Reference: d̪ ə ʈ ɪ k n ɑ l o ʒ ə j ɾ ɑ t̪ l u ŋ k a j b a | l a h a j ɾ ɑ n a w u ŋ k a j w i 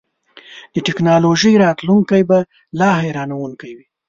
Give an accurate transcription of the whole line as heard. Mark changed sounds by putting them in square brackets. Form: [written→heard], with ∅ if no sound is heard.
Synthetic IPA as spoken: d̪ ə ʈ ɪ k n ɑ l o ʒ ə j ɾ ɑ t̪ l u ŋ k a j b a | l [a→ɑ] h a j ɾ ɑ n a w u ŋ k a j w i